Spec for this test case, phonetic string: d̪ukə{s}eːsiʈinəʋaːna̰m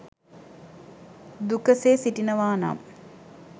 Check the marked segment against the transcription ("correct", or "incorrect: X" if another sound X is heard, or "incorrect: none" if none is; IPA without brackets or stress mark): correct